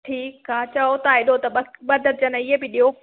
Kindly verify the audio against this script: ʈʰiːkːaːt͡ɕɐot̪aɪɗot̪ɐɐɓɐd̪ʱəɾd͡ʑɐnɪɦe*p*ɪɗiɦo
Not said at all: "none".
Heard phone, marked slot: b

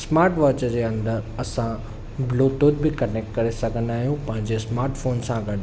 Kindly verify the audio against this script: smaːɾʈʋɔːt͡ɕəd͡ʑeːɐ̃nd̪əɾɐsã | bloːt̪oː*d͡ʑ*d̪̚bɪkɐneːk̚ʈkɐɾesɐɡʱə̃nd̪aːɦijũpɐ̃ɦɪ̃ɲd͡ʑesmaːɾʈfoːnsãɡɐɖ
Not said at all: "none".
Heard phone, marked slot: none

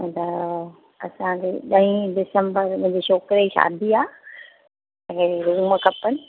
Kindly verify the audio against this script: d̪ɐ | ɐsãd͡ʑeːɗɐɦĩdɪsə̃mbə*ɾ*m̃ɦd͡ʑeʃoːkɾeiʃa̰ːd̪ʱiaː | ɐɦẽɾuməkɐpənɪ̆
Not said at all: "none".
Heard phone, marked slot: ɾ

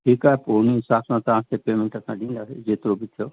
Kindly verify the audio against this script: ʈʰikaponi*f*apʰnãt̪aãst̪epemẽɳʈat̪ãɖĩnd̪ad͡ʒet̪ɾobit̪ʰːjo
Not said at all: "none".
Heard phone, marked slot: s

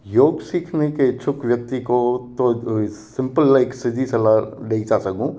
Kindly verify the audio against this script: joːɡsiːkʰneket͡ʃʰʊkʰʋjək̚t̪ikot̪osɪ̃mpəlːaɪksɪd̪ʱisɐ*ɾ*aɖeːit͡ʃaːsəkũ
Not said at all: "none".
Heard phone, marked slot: l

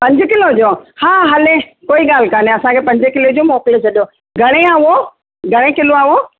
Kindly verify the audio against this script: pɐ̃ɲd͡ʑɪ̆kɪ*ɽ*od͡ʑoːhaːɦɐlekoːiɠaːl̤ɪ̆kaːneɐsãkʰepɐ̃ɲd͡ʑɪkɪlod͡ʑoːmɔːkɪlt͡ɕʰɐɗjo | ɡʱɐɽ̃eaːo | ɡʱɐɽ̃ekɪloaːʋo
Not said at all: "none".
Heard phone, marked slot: l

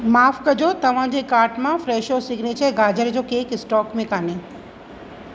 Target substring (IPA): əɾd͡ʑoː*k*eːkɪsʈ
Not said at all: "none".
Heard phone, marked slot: k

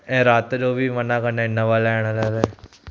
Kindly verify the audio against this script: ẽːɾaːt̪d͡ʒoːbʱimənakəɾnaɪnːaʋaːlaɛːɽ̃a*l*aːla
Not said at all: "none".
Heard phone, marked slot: l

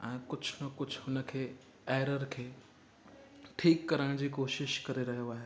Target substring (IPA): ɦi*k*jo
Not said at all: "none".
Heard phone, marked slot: none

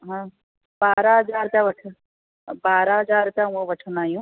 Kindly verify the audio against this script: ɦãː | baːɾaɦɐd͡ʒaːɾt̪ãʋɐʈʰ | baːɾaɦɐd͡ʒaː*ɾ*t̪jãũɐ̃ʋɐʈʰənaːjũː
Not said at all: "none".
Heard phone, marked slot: ɾ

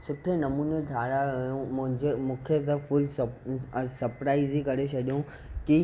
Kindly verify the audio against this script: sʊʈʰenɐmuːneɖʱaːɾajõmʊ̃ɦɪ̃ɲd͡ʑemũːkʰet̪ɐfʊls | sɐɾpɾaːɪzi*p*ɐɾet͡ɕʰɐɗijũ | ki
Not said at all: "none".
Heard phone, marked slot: k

